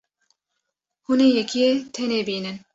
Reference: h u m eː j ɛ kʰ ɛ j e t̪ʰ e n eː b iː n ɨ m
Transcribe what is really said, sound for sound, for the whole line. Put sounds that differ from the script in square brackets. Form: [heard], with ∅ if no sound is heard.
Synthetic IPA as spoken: h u [n] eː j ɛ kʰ [i] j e t̪ʰ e n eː b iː n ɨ [n]